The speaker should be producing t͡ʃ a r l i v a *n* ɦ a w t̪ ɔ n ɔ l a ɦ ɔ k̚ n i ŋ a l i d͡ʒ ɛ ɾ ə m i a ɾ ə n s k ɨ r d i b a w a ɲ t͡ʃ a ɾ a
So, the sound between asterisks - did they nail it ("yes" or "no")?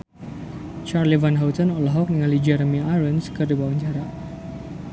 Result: yes